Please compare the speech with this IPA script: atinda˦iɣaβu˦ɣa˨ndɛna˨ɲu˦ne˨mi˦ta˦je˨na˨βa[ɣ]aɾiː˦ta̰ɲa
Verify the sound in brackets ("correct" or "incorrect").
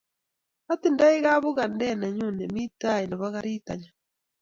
correct